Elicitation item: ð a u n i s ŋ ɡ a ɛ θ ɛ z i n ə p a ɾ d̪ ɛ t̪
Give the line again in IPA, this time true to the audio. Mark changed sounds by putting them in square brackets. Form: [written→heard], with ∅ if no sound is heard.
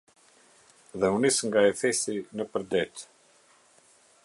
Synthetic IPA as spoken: ð [a→ɛ] u n i s ŋ ɡ a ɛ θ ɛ [z→s] i n ə p [a→ə] ɾ d̪ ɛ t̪